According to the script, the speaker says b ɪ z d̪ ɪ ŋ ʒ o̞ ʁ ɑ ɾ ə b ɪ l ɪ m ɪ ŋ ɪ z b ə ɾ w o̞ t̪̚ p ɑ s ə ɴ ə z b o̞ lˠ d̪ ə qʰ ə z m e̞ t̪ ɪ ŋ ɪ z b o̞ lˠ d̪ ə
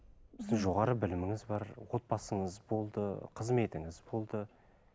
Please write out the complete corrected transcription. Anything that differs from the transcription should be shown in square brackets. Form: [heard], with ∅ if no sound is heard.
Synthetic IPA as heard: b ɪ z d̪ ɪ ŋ ʒ o̞ ʁ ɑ ɾ ə b ɪ l ɪ m ɪ ŋ ɪ z b [ɑ] ɾ w o̞ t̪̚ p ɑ s ə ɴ ə z b o̞ lˠ d̪ ə qʰ ə z m e̞ t̪ ɪ ŋ ɪ z b o̞ lˠ d̪ ə